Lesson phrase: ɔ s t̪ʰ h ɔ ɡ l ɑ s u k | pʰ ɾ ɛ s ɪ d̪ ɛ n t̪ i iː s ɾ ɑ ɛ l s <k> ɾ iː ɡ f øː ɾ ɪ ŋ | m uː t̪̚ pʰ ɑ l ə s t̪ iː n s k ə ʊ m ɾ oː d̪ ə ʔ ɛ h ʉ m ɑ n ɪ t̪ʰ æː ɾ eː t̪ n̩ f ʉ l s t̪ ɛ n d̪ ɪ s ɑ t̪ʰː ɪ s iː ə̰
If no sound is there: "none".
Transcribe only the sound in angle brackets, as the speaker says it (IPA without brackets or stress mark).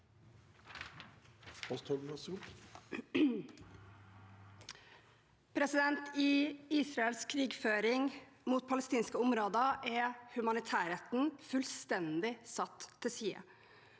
kʰ